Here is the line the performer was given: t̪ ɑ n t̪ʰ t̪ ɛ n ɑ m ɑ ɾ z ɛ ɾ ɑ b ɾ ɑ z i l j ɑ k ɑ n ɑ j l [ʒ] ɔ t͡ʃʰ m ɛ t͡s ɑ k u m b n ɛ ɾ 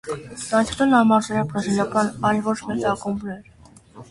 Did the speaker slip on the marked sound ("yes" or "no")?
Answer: yes